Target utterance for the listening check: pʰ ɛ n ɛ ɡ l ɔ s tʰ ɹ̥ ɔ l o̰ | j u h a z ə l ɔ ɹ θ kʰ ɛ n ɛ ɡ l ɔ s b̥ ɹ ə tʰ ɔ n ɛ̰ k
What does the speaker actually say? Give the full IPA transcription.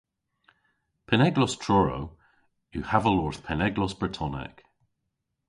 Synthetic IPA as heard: pʰ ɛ n ɛ ɡ l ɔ s tʰ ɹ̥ ɔ ɹ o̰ | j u h a v ə l ɔ ɹ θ pʰ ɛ n ɛ ɡ l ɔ s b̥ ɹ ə tʰ ɔ n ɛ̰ k